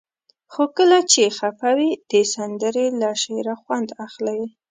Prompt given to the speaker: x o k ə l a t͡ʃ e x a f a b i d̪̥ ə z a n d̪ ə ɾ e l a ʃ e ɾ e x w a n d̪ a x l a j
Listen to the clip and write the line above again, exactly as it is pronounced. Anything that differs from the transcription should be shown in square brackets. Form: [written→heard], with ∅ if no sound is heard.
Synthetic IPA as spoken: x o k ə l a t͡ʃ e x a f a [b→w] i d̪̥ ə [z→s] a n d̪ ə ɾ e l a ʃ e ɾ [e→a] x w a n d̪ a x l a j